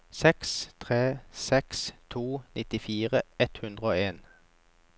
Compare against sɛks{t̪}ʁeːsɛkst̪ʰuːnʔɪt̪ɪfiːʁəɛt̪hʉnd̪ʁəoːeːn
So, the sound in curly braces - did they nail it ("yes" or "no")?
no